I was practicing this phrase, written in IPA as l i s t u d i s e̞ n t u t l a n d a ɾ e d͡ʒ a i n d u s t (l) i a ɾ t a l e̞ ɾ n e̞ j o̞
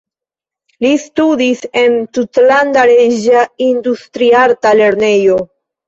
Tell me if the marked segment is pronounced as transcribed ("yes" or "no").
no